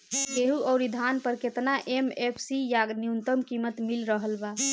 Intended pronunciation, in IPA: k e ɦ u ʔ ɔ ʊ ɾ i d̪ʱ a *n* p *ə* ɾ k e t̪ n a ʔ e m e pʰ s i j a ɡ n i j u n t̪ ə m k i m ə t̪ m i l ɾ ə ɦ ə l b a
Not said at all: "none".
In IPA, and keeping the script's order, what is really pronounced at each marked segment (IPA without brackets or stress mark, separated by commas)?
n, ə